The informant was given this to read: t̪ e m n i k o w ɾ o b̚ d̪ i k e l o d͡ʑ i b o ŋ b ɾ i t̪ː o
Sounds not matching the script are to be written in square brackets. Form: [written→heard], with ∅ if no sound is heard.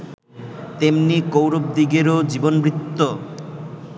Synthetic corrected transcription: t̪ e m n i k o w ɾ o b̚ d̪ i [k→ɡ] e [l→ɾ] o d͡ʑ i b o [ŋ→n] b ɾ i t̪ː o

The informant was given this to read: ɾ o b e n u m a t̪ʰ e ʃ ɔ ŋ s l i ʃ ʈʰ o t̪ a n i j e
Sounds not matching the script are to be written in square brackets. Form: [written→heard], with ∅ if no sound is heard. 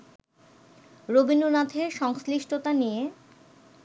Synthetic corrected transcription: ɾ o b [e→i] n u [m→n] a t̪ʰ e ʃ ɔ ŋ s l i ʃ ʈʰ o t̪ a n i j e

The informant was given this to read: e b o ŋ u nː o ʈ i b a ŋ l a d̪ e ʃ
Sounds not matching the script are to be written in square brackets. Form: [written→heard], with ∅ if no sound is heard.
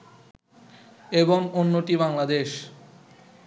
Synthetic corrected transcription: e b o ŋ [u→o] nː o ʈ i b a ŋ l a d̪ e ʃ

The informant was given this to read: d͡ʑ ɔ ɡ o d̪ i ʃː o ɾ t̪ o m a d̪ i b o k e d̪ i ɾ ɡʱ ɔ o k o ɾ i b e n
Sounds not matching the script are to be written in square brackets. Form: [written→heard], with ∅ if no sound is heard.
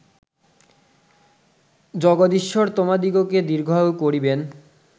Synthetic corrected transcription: d͡ʑ ɔ ɡ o d̪ i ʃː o ɾ t̪ o m a d̪ i [b→ɡ] o k e d̪ i ɾ ɡʱ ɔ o k o ɾ i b e n

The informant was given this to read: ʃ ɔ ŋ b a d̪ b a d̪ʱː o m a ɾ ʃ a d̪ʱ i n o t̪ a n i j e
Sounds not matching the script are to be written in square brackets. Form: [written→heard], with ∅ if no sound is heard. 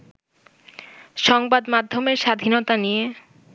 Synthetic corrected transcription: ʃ ɔ ŋ b a d̪ [b→m] a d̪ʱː o m [a→e] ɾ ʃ a d̪ʱ i n o t̪ a n i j e

